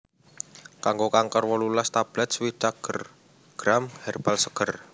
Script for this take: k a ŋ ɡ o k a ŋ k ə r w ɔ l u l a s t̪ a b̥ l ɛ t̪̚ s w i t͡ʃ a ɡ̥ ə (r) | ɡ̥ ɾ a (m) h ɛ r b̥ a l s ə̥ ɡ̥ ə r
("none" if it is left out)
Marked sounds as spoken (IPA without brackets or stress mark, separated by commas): r, m